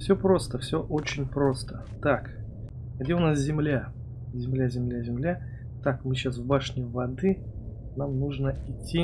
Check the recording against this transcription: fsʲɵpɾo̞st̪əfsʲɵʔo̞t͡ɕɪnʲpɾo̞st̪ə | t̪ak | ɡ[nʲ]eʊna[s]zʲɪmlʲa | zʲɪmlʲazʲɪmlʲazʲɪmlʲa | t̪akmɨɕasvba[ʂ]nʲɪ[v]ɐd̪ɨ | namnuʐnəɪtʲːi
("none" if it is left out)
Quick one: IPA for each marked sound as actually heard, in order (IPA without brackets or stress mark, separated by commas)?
dʲ, s, ʂ, v